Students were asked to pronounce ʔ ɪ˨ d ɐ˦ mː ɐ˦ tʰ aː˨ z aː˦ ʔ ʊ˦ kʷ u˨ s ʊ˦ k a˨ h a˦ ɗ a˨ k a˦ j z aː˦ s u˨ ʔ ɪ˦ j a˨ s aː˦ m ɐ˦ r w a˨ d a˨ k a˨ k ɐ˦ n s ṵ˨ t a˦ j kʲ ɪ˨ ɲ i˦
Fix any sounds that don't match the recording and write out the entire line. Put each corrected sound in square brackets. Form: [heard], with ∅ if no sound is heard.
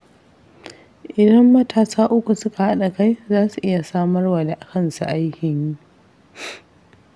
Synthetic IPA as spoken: ʔ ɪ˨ d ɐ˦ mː ɐ˦ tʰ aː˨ [s] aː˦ ʔ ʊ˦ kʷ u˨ s ʊ˦ k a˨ h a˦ ɗ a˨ k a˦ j z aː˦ s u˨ ʔ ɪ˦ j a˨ s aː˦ m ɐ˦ r w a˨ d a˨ [ʔ] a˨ k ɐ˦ n s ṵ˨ [ʔ] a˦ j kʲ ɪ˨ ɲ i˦